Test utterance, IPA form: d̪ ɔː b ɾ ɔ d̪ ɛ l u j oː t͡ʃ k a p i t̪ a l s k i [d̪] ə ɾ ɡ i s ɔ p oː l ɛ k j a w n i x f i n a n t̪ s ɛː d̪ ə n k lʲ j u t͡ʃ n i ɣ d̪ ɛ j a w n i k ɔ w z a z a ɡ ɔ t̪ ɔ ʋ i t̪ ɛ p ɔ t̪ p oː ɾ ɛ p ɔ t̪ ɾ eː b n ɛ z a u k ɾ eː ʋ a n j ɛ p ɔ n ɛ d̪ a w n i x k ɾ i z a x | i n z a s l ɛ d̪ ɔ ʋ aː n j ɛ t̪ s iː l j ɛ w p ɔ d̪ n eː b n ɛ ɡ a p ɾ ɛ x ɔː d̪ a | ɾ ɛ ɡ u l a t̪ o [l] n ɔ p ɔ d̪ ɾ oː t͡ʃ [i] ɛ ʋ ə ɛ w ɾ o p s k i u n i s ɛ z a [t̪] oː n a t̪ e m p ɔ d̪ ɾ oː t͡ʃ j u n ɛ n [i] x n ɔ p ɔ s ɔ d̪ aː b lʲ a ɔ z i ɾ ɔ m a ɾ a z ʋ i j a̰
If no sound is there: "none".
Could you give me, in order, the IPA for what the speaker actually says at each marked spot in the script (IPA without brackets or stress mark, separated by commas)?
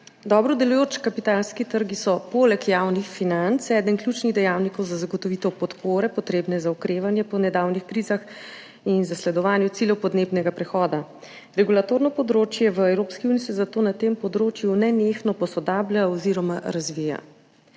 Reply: t̪, ɾ, j, t̪, e